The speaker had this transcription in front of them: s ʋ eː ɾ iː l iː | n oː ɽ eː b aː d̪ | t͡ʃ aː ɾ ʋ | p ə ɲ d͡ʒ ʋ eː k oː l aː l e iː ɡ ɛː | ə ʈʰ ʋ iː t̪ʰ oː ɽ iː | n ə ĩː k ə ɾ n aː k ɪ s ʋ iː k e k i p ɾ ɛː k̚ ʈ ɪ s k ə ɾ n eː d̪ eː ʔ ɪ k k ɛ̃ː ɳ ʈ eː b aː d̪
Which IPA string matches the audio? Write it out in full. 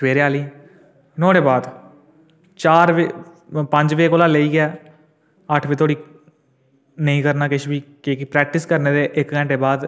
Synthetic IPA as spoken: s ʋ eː ɾ aː l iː | n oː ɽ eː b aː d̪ | t͡ʃ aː ɾ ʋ | p ə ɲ d͡ʒ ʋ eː k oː l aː l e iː ɡ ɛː | ə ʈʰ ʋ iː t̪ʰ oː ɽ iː | n ə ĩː k ə ɾ n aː k ɪ ʃ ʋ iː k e k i p ɾ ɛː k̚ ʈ ɪ s k ə ɾ n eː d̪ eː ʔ ɪ k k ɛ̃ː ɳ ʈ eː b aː d̪